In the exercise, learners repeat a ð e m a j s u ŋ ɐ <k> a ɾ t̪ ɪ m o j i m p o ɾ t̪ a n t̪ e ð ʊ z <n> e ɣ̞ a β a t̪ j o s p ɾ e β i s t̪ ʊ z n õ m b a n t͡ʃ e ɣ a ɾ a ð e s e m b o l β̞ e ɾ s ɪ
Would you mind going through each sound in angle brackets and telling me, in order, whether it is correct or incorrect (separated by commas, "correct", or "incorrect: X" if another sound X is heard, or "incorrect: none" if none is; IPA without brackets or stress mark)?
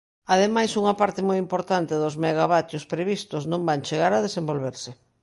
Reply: incorrect: p, incorrect: m